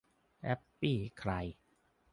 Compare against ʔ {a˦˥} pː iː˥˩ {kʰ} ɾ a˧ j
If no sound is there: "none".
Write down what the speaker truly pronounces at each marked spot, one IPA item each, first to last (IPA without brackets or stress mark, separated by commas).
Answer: ɛ˦˥, kʰ